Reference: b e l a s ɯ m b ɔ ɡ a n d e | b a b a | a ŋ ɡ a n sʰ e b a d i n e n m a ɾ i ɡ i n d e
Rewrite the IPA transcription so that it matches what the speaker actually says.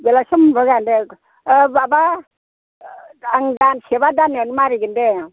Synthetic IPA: b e l a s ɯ m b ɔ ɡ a n d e | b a b a | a ŋ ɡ a n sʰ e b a d a n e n m a ɾ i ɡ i n d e